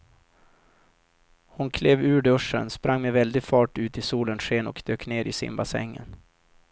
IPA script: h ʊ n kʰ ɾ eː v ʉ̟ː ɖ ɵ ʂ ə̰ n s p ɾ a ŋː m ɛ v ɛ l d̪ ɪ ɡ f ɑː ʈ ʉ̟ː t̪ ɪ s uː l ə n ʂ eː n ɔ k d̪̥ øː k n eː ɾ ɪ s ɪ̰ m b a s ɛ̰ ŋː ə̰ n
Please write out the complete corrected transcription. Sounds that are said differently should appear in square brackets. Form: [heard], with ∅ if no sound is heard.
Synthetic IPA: h ʊ n kʰ [l] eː v ʉ̟ː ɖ ɵ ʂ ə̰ n s p ɾ a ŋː m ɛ v ɛ l d̪ ɪ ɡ f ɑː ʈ ʉ̟ː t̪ ɪ s uː l ə n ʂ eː n ɔ k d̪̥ øː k n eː ɾ ɪ s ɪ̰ m b a s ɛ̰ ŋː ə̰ n